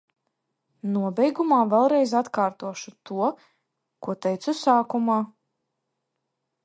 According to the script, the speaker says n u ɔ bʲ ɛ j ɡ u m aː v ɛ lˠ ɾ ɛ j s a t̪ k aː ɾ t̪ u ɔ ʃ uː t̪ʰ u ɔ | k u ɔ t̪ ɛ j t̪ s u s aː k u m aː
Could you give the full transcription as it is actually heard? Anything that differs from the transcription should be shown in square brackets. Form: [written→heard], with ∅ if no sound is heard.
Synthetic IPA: n u ɔ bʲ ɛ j ɡ u m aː v ɛ lˠ ɾ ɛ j [s→z] a t̪ k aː ɾ t̪ u ɔ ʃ [uː→u] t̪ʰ u ɔ | k u ɔ t̪ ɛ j t̪ s u s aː k u m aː